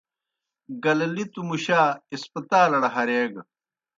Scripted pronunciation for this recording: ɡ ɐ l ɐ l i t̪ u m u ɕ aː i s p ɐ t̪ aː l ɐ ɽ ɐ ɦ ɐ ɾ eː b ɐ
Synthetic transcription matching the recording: ɡ ɐ l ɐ l i t̪ u m u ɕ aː i s p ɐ t̪ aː l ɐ ɽ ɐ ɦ ɐ ɾ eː ɡ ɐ

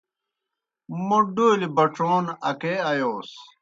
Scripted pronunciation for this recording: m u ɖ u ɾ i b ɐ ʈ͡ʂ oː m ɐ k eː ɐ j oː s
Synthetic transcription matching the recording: m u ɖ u l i b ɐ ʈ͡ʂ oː n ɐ k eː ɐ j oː s

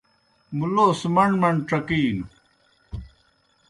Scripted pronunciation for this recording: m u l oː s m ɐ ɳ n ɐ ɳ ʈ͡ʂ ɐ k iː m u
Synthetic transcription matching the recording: m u l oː s m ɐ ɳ m ɐ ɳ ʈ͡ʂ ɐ k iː n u

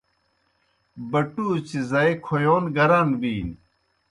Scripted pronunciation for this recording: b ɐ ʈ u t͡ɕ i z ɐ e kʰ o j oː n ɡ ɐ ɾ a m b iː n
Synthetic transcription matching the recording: b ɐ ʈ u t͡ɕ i z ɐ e kʰ o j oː n ɡ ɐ ɾ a n b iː n

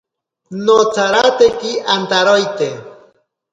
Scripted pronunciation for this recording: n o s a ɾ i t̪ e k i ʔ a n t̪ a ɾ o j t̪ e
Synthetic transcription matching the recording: n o t͡s a ɾ a t̪ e k i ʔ a n t̪ a ɾ o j t̪ e

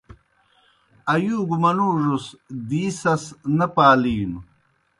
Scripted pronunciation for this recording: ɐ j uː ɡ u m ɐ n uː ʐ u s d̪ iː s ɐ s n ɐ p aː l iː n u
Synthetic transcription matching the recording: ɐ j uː ɡ u m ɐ n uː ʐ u s d̪ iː s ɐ s n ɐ p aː l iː n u

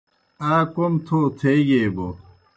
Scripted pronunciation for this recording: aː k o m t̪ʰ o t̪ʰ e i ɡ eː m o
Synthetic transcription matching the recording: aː k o m t̪ʰ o t̪ʰ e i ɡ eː b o

